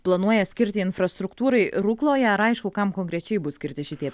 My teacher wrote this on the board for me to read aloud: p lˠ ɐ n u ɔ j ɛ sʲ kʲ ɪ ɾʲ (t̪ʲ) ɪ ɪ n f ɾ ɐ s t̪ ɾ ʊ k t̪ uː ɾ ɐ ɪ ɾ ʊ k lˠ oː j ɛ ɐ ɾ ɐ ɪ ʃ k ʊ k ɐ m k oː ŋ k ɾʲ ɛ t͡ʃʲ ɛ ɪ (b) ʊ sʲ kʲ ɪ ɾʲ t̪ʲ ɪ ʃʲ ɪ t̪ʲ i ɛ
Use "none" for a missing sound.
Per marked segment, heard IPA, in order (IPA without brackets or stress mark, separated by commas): t̪ʲ, b